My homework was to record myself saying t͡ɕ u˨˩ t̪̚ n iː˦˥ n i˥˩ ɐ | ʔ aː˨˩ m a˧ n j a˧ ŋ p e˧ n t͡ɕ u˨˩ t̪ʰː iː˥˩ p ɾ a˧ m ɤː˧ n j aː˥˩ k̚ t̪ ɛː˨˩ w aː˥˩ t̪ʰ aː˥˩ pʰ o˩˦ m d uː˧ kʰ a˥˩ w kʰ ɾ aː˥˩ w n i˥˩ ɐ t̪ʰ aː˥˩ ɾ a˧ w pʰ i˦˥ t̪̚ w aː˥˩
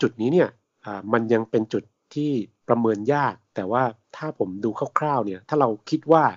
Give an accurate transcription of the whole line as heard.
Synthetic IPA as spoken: t͡ɕ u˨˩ t̪̚ n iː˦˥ n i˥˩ ɐ | ʔ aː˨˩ m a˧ n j a˧ ŋ p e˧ n t͡ɕ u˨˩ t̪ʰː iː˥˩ p ɾ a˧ m ɤː˧ n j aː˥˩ k̚ t̪ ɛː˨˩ w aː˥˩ t̪ʰ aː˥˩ pʰ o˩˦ m d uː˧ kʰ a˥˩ w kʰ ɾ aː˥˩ w n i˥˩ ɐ t̪ʰ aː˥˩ ɾ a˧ w kʰ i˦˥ t̪̚ w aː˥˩